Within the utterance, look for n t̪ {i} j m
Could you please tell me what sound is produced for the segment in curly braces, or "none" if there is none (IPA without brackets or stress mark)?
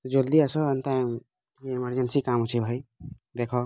a